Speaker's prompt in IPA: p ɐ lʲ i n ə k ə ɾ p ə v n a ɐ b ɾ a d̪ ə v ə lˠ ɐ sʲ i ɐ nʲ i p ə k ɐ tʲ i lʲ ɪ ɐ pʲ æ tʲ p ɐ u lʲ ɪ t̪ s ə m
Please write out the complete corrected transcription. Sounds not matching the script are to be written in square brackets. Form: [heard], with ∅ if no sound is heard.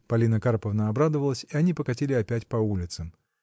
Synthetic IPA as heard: p ɐ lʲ i n ə k [a] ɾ p ə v n [ə] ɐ b ɾ a d̪ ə v ə lˠ [ə] sʲ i ɐ nʲ i p ə k ɐ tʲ i lʲ ɪ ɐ pʲ æ tʲ p ɐ u lʲ ɪ t̪ s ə m